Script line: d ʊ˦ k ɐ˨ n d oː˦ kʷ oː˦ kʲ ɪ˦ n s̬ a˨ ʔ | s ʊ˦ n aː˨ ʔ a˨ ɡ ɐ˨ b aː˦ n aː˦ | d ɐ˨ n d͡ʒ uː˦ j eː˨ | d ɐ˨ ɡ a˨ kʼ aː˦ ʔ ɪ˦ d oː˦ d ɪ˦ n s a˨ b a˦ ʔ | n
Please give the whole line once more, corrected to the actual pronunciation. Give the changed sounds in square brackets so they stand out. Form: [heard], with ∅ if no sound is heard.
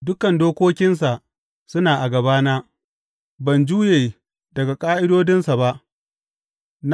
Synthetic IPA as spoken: d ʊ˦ k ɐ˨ n d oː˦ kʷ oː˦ kʲ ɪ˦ n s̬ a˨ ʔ | s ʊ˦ n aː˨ ʔ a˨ ɡ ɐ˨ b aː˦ n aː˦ | [b] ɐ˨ n d͡ʒ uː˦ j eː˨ | d ɐ˨ ɡ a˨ kʼ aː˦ ʔ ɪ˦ d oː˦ d ɪ˦ n s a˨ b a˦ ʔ | n